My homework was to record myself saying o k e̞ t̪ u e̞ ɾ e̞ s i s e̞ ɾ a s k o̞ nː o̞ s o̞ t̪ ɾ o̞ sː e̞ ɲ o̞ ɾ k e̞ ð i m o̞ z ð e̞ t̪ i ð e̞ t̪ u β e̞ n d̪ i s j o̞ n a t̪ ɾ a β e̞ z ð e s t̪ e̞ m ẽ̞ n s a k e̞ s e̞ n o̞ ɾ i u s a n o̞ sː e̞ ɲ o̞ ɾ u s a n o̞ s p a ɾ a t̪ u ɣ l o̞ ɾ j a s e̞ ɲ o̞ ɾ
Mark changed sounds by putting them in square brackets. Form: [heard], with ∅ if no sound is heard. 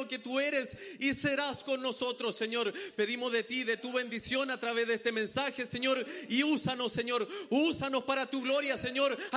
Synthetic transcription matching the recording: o k e̞ t̪ u e̞ ɾ e̞ s i s e̞ ɾ a s k o̞ nː o̞ s o̞ t̪ ɾ o̞ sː e̞ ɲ o̞ ɾ [p] e̞ ð i m o̞ z ð e̞ t̪ i ð e̞ t̪ u β e̞ n d̪ i s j o̞ n a t̪ ɾ a β e̞ z ð e s t̪ e̞ m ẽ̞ n s a [x] e̞ s e̞ [ɲ] o̞ ɾ i u s a n o̞ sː e̞ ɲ o̞ ɾ u s a n o̞ s p a ɾ a t̪ u ɣ l o̞ ɾ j a s e̞ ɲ o̞ ɾ